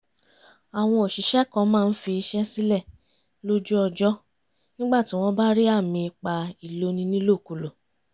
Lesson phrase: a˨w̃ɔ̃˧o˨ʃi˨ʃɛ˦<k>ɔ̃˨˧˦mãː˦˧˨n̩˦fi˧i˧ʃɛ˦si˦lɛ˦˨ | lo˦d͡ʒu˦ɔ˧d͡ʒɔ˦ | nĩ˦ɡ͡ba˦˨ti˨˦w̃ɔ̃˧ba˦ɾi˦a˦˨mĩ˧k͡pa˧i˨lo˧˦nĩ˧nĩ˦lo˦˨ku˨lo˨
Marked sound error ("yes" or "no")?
no